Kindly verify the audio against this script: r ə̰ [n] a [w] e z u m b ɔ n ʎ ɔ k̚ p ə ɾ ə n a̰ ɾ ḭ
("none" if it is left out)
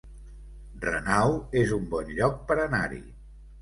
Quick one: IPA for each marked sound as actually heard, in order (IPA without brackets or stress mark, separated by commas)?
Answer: n, w